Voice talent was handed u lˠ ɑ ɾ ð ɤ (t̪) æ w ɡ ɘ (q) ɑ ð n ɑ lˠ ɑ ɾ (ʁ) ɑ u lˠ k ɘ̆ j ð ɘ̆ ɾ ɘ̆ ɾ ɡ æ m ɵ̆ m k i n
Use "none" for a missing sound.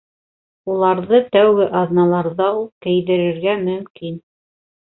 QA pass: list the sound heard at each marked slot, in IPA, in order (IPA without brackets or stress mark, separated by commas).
t̪, ʔ, ð